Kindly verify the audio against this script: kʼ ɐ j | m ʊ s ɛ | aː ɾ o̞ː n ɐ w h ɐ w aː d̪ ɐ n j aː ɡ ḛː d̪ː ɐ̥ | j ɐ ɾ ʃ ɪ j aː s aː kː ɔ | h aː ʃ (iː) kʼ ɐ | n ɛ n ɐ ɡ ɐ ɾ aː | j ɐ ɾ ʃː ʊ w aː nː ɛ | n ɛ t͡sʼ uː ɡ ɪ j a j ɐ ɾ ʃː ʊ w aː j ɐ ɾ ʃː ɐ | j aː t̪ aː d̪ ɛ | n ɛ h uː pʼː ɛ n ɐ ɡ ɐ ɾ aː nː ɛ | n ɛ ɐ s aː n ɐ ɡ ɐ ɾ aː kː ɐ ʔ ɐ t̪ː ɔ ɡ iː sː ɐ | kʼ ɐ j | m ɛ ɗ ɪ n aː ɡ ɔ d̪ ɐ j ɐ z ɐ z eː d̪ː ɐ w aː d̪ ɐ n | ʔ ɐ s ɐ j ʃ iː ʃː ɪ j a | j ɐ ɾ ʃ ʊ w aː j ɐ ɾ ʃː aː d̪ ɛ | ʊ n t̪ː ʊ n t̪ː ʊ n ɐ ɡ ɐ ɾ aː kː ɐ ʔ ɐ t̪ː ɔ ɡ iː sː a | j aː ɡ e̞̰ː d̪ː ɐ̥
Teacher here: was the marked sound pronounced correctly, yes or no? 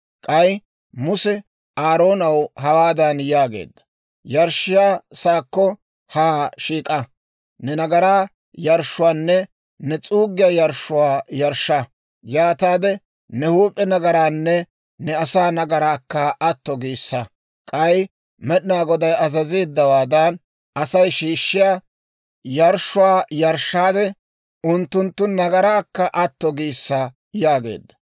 yes